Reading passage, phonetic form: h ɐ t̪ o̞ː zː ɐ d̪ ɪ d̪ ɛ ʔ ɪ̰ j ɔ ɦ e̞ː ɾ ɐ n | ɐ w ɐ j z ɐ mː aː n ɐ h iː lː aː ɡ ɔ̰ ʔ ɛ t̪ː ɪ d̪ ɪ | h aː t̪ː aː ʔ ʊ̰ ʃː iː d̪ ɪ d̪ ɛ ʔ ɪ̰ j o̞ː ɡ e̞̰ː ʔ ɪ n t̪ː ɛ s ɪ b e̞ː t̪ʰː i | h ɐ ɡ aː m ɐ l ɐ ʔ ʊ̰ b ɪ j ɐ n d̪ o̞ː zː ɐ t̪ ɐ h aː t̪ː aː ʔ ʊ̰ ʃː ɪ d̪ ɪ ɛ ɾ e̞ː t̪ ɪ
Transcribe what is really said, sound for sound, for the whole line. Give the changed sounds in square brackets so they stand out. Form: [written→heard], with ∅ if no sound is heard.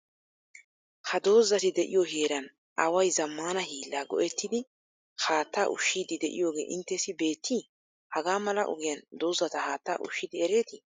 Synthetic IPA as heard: h ɐ [t̪→d̪] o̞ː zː ɐ [d̪→t̪] ɪ d̪ ɛ ʔ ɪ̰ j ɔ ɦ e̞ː ɾ ɐ n | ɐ w ɐ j z ɐ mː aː n ɐ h iː lː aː ɡ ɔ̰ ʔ ɛ t̪ː ɪ d̪ ɪ | h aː t̪ː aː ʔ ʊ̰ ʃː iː d̪ ɪ d̪ ɛ ʔ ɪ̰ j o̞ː ɡ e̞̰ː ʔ ɪ n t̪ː ɛ s ɪ b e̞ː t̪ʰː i | h ɐ ɡ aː m ɐ l ɐ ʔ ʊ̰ [b→ɡ] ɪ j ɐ n d̪ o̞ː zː ɐ t̪ ɐ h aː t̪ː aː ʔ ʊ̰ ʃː ɪ d̪ ɪ ɛ ɾ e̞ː t̪ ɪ